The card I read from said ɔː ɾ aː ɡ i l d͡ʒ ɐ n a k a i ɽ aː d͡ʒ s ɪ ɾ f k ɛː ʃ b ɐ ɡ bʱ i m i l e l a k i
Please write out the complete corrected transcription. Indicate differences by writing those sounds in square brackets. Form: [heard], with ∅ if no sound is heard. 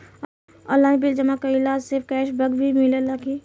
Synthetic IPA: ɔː [l] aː [b] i l d͡ʒ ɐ [m] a k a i [l] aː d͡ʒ s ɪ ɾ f k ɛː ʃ b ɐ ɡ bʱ i m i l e l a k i